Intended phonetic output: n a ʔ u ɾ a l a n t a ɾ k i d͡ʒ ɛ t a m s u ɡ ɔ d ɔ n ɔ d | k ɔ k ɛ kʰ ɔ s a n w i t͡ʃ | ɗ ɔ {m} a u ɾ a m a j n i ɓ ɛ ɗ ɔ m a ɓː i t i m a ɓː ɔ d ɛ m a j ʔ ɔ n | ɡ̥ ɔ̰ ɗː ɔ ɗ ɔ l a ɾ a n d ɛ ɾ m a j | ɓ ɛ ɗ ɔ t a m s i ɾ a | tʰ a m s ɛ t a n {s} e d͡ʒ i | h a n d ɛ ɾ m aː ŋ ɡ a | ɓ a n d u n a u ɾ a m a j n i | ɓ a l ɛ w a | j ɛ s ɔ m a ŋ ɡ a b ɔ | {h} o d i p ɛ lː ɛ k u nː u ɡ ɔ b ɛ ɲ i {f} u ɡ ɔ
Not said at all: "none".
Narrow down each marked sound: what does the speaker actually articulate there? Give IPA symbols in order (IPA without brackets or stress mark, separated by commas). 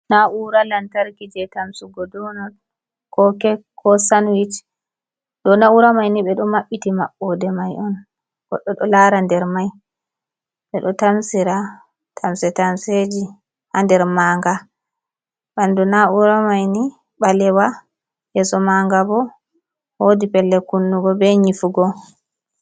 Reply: n, s, h, f